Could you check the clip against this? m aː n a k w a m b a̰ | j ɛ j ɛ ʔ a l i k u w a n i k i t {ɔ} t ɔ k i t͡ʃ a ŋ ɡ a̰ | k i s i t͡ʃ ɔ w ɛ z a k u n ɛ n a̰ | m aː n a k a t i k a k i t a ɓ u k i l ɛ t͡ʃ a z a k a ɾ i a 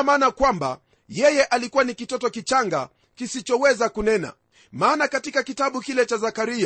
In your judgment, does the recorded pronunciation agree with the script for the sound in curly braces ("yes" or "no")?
yes